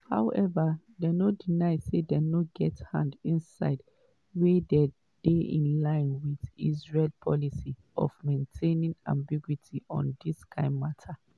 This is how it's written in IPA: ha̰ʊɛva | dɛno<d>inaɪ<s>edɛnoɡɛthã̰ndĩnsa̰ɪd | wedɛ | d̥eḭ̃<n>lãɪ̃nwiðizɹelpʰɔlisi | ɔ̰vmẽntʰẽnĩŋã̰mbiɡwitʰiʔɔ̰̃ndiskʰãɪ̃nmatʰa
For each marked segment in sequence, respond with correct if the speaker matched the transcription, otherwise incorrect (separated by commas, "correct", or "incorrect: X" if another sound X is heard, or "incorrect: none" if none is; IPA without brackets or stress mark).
correct, correct, correct